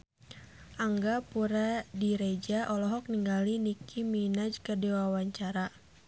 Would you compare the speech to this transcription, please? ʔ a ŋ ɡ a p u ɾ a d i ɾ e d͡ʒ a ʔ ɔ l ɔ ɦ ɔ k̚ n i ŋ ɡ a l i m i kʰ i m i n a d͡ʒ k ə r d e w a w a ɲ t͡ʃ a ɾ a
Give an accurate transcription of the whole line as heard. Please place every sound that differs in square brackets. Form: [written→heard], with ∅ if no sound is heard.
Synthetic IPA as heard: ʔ a ŋ ɡ a p u ɾ a d i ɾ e d͡ʒ a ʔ ɔ l ɔ ɦ ɔ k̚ n i ŋ ɡ a l i [m→n] i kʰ i m i n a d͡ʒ k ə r d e w a w a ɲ t͡ʃ a ɾ a